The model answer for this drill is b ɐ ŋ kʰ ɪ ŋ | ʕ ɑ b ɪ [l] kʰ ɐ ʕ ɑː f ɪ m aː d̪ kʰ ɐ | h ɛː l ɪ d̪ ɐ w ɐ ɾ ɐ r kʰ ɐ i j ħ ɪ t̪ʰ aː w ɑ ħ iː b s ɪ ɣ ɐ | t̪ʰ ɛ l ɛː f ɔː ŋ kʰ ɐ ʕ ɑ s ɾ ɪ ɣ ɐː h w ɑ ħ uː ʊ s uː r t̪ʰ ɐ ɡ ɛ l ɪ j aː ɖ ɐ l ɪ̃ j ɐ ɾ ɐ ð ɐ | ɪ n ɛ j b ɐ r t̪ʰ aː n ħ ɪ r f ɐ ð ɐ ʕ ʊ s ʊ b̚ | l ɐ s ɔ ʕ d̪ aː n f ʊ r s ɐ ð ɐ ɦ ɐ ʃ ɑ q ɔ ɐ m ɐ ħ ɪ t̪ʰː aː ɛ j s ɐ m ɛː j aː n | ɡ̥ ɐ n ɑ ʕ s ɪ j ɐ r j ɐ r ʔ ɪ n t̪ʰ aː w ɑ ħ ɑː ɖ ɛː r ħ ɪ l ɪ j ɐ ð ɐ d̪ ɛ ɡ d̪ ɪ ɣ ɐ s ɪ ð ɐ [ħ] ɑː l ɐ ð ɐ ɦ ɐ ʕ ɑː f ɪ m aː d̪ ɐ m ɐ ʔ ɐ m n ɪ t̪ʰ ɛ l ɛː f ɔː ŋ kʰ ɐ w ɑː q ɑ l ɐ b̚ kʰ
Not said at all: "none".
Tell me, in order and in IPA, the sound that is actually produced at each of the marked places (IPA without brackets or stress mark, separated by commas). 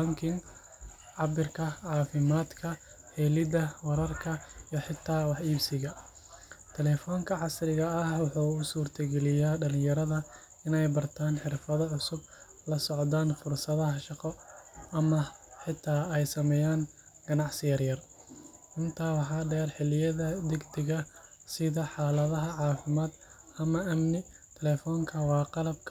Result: r, ħ